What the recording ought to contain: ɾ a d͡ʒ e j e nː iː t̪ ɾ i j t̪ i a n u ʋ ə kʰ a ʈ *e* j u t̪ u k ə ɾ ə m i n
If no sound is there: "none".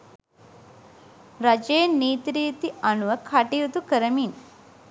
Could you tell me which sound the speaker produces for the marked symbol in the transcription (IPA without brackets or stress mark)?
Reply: i